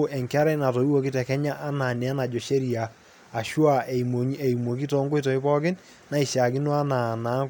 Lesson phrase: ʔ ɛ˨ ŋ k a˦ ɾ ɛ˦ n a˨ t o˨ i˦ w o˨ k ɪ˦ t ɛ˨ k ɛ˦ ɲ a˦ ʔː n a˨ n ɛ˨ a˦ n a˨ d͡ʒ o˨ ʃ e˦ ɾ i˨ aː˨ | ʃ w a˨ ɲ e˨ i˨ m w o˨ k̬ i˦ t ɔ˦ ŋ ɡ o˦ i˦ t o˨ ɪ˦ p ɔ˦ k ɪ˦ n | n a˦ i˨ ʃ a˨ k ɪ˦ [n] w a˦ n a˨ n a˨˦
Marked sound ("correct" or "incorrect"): correct